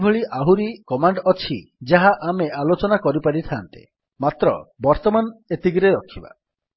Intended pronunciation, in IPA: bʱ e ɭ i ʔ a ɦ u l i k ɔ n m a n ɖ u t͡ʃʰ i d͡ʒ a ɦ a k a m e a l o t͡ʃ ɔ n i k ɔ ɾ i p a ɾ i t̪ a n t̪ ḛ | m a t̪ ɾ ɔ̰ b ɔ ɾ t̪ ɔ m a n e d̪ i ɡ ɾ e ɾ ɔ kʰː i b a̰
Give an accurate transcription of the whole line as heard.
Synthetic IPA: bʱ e ɭ i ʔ a ɦ u ɾ i k ɔ m a ɳ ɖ ɔ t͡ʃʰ i d͡ʒ a ɦ a ʔ a m e a l o t͡ʃ ɔ n a k ɔ ɾ i p a ɾ i t̪ʰ a n t̪ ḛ | m a t̪ ɾ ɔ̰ b ɔ ɾ t̪ ɔ m a n e t̪ i ɡ ɾ e ɾ ɔ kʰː i b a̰